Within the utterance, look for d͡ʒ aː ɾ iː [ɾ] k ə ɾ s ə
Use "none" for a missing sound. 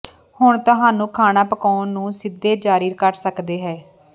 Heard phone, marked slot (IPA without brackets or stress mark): ɾ